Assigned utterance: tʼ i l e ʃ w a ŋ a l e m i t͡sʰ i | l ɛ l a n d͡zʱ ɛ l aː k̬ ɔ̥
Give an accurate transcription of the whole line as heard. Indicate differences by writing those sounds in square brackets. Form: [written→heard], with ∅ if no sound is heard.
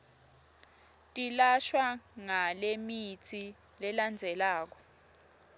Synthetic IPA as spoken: tʼ i l [e→a] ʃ w a ŋ a l e m i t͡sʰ i | l ɛ l a n d͡zʱ ɛ l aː k̬ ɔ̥